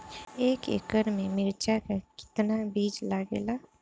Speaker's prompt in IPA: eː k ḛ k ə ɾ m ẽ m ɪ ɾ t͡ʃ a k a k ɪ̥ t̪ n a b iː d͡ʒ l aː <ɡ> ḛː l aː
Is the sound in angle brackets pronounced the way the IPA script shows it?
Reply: yes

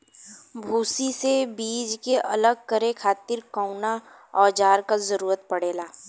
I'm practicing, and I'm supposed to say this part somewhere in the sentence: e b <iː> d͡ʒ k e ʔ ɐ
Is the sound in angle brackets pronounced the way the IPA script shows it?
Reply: yes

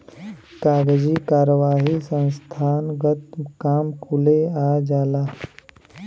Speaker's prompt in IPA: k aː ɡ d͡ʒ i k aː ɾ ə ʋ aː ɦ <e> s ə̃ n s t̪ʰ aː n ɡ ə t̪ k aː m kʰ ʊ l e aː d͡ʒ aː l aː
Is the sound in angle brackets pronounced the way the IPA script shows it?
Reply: no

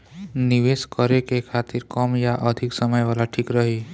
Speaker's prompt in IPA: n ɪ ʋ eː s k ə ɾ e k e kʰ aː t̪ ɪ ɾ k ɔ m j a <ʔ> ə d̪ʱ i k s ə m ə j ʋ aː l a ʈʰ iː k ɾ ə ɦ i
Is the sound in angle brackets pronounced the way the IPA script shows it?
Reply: yes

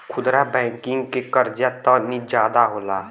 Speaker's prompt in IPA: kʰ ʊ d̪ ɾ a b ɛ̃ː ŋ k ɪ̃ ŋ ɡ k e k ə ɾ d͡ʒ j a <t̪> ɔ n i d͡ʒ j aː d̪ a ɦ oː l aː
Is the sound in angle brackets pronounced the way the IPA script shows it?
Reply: yes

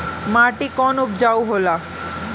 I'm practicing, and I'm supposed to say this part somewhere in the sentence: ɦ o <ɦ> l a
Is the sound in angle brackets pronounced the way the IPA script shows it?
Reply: no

